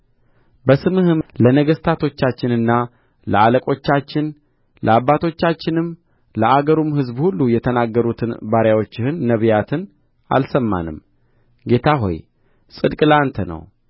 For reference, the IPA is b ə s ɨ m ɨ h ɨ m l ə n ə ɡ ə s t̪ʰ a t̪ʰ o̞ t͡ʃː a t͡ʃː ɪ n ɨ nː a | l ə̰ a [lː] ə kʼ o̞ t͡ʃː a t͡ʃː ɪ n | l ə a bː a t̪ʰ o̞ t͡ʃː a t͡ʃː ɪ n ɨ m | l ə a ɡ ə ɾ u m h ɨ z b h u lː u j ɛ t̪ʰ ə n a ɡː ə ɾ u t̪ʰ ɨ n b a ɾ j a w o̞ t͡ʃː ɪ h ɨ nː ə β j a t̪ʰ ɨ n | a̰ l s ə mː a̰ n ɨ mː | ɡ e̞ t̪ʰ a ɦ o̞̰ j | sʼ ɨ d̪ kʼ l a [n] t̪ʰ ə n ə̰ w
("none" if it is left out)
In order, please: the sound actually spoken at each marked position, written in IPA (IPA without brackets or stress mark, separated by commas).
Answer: l, n